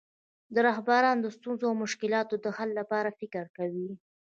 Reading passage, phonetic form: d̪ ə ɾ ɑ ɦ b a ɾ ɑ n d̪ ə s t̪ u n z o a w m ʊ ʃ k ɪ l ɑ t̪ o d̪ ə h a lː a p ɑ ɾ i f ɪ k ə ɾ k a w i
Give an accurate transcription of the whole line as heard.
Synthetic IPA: d̪ ə ɾ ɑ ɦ b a ɾ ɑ n d̪ ə s t̪ u n z o a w m ʊ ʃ k ɪ l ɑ t̪ o d̪ ə h a lː a p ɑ ɾ a f ɪ k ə ɾ k a w i